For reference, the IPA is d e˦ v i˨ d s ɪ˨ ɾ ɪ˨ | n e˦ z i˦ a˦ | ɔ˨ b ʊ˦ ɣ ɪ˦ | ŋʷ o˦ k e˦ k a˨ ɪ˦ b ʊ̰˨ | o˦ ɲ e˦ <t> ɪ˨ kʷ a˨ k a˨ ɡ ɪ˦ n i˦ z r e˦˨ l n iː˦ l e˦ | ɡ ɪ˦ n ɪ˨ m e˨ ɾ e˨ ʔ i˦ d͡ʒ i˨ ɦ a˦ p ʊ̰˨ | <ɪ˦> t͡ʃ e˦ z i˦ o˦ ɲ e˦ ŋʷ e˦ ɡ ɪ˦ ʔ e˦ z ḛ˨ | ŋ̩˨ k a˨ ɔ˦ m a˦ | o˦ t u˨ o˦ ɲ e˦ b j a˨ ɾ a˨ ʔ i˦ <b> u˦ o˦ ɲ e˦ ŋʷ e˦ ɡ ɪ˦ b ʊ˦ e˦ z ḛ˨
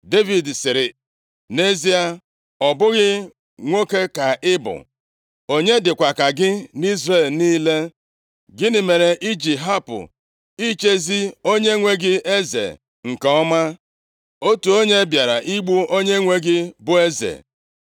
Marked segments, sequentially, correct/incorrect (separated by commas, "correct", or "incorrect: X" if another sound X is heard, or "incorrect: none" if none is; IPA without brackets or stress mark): incorrect: d, incorrect: i˦, incorrect: ɡ͡b